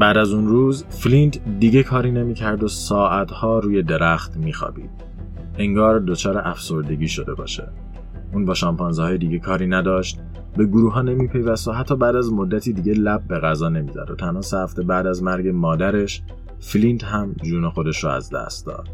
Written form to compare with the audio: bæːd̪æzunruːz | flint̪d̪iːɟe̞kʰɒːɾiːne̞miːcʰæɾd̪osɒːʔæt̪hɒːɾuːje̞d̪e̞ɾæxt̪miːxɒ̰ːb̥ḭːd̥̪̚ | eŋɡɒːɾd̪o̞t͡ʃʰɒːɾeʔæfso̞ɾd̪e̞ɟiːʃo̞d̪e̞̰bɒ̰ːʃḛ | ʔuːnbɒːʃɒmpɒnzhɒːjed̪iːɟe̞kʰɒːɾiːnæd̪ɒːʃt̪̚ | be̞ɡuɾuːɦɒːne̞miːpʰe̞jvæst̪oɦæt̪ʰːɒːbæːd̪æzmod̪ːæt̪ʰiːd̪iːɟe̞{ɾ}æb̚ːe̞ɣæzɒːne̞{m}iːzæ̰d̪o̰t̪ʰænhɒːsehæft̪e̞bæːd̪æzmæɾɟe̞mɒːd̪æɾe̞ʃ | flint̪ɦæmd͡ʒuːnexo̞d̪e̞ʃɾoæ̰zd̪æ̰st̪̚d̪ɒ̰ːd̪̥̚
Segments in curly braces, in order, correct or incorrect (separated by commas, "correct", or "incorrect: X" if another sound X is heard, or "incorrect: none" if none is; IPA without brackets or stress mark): incorrect: l, correct